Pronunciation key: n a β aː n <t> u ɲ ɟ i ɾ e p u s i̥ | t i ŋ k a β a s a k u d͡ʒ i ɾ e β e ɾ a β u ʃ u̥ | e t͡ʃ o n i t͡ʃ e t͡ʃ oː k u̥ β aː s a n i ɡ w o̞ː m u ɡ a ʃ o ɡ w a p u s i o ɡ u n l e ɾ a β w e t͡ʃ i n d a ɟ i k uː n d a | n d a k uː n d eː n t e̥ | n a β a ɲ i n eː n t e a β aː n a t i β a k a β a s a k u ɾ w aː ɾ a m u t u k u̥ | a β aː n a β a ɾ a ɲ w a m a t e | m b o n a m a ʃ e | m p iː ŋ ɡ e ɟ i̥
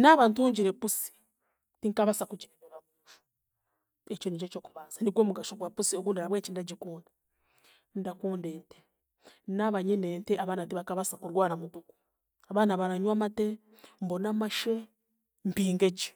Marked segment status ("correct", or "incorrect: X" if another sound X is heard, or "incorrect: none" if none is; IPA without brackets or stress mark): correct